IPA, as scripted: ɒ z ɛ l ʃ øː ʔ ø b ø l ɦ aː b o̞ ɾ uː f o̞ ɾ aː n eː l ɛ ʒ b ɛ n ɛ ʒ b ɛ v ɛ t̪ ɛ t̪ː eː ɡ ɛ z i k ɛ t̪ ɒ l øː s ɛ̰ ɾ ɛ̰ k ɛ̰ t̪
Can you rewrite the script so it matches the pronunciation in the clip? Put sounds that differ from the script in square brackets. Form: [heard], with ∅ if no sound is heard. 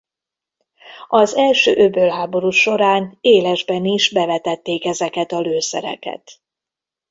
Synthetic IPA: ɒ z ɛ l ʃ øː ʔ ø b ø l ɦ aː b o̞ ɾ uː [ʃ] o̞ ɾ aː n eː l ɛ ʒ b ɛ n [i] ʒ b ɛ v ɛ t̪ ɛ t̪ː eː [k] ɛ z [ɛ] k ɛ t̪ ɒ l øː s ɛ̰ ɾ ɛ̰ k ɛ̰ t̪